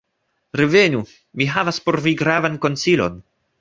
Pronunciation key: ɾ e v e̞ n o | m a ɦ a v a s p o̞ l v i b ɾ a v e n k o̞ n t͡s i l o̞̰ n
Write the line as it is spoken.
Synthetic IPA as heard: ɾ e v e̞ n u | m i ɦ a v a s p o̞ ɾ v i ɡ ɾ a v a n k o̞ n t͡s i l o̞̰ n